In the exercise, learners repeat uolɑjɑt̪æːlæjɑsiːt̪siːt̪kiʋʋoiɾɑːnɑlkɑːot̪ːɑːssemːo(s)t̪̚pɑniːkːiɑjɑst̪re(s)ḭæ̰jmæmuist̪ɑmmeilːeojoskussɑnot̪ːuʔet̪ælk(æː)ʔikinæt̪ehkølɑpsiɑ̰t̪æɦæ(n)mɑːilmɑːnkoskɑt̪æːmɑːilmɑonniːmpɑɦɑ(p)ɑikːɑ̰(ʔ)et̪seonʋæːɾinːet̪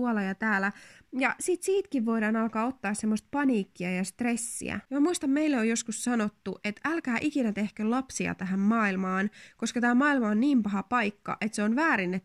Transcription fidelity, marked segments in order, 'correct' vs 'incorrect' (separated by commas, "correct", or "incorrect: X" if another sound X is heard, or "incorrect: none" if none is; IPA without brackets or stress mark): correct, incorrect: sː, correct, incorrect: m, correct, correct